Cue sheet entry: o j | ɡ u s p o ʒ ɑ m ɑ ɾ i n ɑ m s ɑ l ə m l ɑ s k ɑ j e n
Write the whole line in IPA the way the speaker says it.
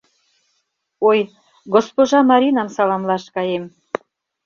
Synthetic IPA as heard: o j | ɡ o s p o ʒ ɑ m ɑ ɾ i n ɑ m s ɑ l ɑ m l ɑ ʃ k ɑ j e m